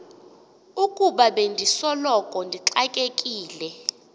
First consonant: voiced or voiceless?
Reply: voiceless